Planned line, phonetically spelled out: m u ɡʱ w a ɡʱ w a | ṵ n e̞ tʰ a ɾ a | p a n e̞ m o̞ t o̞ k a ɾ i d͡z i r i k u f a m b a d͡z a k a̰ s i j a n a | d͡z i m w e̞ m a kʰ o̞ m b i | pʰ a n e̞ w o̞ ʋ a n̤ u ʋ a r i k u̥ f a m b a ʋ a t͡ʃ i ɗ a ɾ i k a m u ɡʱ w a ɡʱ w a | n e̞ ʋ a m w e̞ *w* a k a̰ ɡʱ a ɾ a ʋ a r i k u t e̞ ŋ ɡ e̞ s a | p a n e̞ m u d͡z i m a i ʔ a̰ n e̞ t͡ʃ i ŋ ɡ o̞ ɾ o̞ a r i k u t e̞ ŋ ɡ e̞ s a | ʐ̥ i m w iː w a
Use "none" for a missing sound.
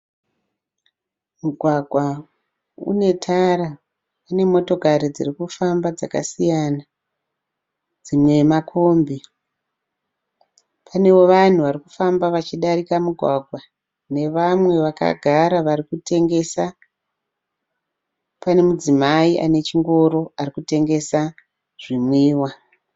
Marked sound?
ʋ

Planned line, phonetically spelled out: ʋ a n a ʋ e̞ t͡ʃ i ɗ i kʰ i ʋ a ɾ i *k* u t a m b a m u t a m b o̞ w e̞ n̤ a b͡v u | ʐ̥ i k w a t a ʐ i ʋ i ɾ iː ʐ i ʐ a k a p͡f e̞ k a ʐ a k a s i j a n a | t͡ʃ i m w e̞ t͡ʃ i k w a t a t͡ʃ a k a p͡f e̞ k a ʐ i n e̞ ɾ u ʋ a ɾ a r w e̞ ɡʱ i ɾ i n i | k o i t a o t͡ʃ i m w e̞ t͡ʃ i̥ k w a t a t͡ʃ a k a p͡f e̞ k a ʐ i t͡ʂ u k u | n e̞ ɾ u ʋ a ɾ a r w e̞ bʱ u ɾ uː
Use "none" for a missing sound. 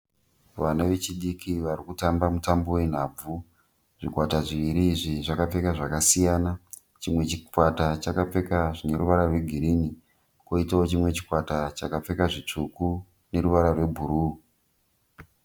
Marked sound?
k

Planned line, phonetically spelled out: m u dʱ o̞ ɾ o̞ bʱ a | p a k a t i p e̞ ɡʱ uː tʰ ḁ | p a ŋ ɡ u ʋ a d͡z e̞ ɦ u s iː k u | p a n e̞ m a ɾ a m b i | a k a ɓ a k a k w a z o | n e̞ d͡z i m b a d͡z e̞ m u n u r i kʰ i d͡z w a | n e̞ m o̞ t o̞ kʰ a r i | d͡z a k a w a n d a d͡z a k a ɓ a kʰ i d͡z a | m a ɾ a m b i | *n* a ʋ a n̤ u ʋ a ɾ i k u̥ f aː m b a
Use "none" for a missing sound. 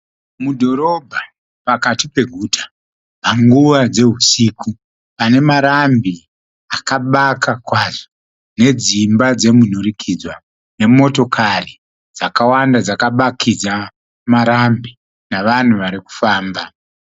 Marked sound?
n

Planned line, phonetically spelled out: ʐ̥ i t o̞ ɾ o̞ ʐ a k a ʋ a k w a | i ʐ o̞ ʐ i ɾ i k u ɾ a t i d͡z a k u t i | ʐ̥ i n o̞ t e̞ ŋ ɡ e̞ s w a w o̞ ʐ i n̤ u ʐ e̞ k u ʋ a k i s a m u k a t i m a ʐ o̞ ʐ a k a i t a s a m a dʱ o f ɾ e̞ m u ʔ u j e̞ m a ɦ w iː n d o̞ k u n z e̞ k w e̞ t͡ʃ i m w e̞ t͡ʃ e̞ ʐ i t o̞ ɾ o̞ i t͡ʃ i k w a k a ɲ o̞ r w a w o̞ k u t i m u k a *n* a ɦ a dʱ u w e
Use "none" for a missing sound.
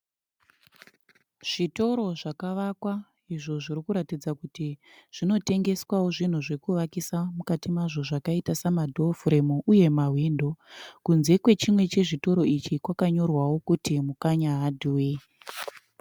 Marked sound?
ɲ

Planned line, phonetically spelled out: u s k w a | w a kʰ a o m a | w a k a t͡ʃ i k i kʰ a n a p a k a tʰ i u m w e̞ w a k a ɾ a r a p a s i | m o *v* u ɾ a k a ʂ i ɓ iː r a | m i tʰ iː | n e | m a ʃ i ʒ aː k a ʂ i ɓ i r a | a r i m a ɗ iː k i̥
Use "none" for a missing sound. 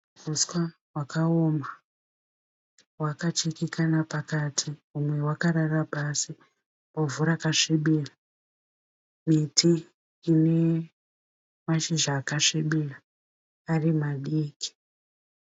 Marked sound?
v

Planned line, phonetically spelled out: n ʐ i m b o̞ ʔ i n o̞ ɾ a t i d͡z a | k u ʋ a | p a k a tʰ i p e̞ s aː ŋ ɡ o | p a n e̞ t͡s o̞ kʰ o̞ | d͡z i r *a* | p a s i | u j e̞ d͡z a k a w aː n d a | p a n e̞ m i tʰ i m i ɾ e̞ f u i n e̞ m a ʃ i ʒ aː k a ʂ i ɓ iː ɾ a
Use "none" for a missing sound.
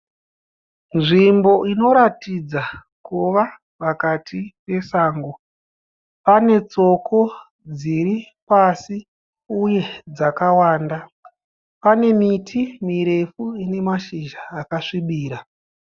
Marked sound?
i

